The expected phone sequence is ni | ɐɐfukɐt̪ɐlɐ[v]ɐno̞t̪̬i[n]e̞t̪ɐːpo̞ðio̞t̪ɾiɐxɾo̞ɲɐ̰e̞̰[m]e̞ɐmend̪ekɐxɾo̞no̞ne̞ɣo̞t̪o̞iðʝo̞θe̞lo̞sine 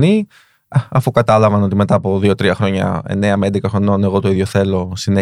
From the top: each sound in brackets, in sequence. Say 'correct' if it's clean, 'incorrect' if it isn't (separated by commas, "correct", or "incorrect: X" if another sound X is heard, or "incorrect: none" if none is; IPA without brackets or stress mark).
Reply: correct, incorrect: m, incorrect: n